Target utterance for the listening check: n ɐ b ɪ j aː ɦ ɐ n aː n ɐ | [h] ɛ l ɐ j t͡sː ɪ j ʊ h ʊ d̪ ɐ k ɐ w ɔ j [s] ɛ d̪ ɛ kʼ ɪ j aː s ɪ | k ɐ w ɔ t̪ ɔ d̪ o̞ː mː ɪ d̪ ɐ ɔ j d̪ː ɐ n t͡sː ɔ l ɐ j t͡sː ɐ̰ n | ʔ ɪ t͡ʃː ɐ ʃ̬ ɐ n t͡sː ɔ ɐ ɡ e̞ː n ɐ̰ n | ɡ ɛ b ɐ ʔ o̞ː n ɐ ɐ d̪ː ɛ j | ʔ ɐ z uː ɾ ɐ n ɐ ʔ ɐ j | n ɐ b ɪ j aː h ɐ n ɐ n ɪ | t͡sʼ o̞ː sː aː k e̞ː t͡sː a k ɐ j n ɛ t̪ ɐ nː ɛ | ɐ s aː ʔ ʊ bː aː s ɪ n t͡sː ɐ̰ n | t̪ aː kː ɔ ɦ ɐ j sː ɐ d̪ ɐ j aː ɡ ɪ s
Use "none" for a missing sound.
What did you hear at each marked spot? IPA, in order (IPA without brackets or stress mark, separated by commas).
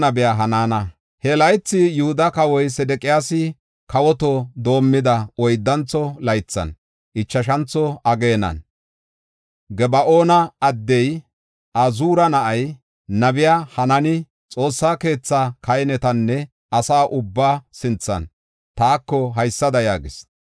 h, s